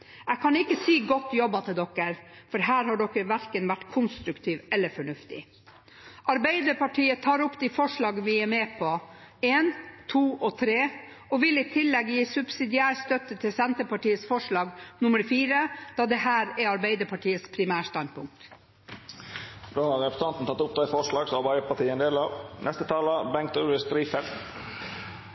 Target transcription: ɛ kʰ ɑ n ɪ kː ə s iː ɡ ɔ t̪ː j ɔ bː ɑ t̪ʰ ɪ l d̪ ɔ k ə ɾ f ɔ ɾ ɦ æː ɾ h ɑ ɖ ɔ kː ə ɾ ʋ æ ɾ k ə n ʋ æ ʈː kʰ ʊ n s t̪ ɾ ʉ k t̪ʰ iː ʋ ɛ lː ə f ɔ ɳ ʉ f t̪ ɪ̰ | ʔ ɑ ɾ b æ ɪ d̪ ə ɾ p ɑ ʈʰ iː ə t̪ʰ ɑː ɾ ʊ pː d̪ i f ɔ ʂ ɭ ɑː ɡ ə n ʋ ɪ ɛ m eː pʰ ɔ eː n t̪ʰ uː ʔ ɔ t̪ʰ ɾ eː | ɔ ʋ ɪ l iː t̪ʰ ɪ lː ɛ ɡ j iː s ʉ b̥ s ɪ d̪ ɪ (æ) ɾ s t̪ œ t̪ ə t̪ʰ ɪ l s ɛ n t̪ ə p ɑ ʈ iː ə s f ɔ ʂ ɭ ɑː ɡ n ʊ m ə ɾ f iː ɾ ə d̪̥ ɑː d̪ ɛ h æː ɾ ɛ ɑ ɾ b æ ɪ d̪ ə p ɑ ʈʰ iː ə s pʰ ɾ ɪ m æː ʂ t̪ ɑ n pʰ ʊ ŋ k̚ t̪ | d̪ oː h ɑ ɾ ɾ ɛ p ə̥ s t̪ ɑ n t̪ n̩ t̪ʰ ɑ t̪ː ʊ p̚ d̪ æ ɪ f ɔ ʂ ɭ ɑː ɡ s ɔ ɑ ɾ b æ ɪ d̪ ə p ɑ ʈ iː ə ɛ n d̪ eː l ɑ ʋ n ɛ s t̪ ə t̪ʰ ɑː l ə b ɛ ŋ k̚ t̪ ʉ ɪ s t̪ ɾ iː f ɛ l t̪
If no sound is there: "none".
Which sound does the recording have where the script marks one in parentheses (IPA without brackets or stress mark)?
æː